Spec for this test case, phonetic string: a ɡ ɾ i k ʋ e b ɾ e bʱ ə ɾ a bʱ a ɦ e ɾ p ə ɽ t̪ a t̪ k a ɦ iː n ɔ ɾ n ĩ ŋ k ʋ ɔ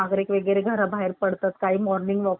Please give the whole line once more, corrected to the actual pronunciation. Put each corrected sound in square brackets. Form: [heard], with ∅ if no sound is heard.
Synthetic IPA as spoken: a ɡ ɾ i k ʋ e [ɡ] ɾ e [ɡʱ] ə ɾ a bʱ a ɦ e ɾ p ə ɽ t̪ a t̪ k a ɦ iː [m] ɔ ɾ n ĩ ŋ [ɡ] ʋ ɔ